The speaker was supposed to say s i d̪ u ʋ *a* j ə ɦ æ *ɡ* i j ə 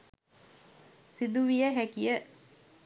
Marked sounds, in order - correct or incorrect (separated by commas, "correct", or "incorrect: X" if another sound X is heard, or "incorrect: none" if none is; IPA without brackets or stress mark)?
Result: incorrect: i, incorrect: k